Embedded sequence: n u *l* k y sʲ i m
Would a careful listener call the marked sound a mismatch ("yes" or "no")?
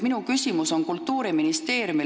yes